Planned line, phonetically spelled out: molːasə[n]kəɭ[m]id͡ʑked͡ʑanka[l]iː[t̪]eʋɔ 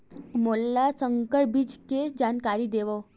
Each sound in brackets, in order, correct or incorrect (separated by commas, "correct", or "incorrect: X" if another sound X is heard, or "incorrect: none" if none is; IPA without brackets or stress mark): incorrect: ŋ, incorrect: b, incorrect: ɾ, incorrect: d̪